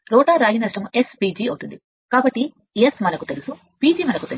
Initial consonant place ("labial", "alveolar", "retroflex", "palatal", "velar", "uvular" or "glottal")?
alveolar